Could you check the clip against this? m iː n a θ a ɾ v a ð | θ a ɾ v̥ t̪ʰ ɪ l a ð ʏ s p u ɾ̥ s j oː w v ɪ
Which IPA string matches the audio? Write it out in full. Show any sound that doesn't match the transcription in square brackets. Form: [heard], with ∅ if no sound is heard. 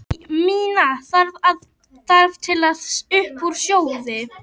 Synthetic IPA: m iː n a θ a ɾ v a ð | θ a ɾ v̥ t̪ʰ ɪ l a ð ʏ [h] p u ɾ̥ s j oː w [ð] ɪ

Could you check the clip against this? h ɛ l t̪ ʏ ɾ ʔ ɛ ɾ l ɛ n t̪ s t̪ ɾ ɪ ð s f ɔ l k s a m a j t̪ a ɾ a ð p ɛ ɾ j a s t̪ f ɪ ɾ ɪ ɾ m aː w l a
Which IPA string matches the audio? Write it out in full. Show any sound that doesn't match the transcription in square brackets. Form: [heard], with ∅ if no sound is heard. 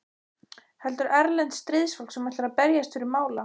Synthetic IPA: h ɛ l t̪ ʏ ɾ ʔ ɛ ɾ l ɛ n t̪ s t̪ ɾ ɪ ð s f ɔ l k s [ɛ] m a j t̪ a ɾ a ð p ɛ ɾ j a s t̪ f ɪ ɾ ɪ ɾ m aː w l a

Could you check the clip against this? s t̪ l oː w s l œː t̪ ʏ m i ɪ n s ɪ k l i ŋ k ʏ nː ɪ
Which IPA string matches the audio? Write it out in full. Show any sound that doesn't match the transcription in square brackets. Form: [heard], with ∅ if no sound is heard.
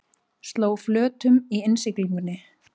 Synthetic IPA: s t̪ l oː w [f] l œː t̪ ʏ m i ɪ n s ɪ k l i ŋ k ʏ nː ɪ

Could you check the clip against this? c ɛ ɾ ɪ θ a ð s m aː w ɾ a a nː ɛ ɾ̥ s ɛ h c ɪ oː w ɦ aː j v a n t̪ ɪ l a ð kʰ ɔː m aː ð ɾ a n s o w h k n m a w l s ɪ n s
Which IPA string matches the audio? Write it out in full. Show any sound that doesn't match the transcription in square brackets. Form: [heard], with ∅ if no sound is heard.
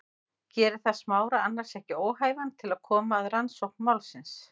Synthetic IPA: c [ɛː] ɾ ɪ θ a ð s m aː w ɾ a a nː [a] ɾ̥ s ɛ h c ɪ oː w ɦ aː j v a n [t̪ʰ] ɪ l a ð kʰ ɔː m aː ð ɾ a n s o w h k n m a w l s ɪ n s

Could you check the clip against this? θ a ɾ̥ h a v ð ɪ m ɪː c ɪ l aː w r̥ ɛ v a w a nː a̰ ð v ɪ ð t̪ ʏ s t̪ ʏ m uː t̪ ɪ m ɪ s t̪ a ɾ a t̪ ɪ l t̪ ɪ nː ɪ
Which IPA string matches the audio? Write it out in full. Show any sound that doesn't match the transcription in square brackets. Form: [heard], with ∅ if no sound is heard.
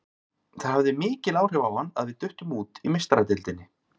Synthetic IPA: θ a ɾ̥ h a v ð ɪ m ɪː c ɪ l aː w r̥ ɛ v a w a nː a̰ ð v ɪ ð t̪ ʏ [h] t̪ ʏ m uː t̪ [i] m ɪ s t̪ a ɾ a t̪ ɪ l t̪ ɪ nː ɪ

